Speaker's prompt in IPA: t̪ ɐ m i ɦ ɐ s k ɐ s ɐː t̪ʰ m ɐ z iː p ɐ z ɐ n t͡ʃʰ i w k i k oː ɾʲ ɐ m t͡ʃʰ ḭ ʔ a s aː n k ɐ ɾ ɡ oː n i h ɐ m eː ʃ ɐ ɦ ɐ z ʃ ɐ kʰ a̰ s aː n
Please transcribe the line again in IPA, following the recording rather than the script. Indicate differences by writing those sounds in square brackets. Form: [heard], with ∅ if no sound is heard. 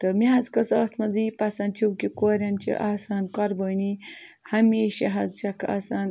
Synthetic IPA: t̪ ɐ m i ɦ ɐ [z] k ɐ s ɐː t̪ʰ m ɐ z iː p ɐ [s] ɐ n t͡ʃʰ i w k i k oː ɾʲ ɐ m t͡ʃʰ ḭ ʔ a s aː n k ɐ ɾ [b] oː n i h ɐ m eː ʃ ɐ ɦ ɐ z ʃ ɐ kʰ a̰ s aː n